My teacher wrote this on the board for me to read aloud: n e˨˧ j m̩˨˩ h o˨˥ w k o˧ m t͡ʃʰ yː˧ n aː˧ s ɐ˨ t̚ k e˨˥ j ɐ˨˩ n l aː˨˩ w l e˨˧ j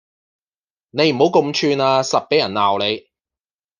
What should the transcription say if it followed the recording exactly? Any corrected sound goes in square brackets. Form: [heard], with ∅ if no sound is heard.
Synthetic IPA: n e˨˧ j m̩˨˩ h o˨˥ w k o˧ m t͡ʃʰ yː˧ n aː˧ s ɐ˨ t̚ [p] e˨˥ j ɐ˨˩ n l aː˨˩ w l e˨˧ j